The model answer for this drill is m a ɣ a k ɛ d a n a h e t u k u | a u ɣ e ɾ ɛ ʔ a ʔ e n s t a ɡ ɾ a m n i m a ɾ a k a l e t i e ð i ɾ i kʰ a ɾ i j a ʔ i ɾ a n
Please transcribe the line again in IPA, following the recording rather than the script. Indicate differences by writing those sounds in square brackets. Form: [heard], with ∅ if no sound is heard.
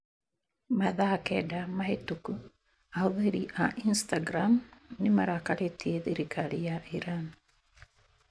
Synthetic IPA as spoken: m a [ð] a k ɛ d a [m] a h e t u k u | a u [ð] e ɾ [i] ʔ a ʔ [i] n s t a ɡ ɾ a m n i m a ɾ a k a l e t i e ð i ɾ i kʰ a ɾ i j a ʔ i ɾ a n